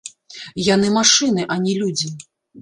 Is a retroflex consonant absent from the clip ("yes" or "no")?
no